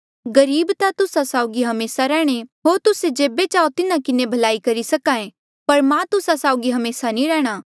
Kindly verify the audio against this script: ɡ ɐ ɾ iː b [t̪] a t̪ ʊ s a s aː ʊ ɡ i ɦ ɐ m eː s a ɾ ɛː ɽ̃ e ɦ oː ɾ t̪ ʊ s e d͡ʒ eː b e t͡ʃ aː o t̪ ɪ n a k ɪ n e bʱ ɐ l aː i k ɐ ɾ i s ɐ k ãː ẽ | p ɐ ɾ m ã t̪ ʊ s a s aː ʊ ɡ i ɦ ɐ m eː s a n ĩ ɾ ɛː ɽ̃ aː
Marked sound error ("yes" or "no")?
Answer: no